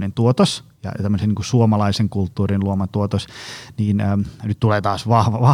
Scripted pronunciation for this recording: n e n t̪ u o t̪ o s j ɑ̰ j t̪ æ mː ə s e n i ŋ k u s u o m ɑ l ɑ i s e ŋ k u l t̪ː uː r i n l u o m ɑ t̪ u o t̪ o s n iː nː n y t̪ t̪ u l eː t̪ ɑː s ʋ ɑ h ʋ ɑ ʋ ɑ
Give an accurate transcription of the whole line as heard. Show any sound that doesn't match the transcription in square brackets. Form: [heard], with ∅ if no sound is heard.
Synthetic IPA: n e n t̪ u o t̪ o s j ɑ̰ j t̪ æ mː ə s e n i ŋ k u s u o m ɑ l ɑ i s e ŋ k u l t̪ː uː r i n l u o m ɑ t̪ u o t̪ o s n iː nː n y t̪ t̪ u l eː t̪ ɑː s ʋ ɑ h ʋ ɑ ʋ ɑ